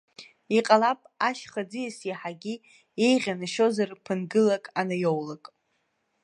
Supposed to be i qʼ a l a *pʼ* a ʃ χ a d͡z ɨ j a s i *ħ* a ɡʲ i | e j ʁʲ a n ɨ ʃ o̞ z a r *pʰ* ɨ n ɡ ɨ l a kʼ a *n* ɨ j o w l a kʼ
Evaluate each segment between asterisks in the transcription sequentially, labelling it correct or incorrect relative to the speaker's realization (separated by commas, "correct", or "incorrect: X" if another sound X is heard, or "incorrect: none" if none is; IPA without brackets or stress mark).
correct, correct, correct, correct